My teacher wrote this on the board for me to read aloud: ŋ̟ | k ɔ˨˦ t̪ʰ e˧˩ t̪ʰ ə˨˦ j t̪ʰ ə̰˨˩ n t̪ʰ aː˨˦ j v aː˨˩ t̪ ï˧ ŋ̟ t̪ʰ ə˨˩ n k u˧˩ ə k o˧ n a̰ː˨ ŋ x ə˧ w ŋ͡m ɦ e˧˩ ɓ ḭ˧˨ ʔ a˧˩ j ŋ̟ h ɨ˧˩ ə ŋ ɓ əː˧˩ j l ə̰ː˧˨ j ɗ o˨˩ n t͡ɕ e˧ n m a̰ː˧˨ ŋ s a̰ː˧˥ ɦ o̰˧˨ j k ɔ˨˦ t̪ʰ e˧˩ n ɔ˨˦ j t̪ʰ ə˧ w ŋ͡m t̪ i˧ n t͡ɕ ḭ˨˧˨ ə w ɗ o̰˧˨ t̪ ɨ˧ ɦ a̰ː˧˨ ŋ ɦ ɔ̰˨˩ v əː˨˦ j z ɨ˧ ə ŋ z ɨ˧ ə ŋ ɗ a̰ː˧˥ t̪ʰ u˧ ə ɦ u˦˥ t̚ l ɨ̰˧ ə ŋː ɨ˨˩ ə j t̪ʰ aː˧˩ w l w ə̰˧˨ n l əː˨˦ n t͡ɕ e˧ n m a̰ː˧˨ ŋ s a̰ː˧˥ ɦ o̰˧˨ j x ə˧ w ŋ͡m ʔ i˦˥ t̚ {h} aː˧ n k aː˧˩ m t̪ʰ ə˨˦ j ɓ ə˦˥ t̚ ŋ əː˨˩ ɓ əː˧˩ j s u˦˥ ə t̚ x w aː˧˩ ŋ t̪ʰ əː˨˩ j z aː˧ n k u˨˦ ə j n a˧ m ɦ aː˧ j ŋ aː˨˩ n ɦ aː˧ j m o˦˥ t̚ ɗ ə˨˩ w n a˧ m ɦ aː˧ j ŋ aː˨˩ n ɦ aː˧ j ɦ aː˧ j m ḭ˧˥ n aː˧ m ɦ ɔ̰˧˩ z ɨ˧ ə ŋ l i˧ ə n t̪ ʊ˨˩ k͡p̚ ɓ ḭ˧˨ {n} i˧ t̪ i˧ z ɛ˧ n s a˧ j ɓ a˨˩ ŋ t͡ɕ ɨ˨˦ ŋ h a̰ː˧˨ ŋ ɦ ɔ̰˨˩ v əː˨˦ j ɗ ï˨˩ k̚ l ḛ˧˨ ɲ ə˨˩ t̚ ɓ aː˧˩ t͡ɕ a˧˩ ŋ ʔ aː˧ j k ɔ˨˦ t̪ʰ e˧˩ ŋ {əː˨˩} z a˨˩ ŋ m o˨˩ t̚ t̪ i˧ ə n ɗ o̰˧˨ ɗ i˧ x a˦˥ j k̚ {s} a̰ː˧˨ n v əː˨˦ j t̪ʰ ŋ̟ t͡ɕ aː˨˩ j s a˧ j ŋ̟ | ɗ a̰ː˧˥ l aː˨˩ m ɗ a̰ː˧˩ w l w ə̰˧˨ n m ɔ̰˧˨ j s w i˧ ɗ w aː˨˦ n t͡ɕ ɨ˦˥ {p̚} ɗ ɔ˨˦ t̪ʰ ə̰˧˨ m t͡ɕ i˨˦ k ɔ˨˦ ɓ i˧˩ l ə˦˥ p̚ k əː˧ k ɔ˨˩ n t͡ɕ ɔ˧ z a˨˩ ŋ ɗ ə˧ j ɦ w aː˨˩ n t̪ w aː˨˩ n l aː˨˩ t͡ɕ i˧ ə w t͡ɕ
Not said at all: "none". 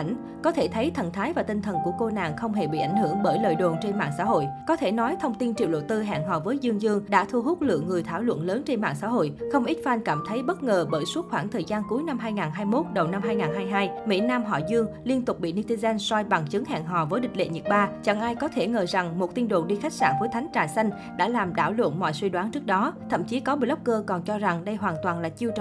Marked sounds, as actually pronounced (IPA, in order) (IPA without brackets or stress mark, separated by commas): f, n, əː˨˩, s, k̚